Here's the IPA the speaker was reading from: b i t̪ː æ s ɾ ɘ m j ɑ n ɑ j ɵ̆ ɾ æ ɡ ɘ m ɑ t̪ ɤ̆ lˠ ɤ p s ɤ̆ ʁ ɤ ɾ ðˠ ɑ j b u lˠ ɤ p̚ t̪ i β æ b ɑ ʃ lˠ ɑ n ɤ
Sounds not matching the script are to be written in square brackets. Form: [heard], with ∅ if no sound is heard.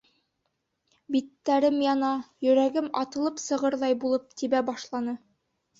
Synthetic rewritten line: b i t̪ː æ [∅] ɾ ɘ m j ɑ n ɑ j ɵ̆ ɾ æ ɡ ɘ m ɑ t̪ ɤ̆ lˠ ɤ p s ɤ̆ ʁ ɤ ɾ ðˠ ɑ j b u lˠ ɤ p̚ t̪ i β æ b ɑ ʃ lˠ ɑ n ɤ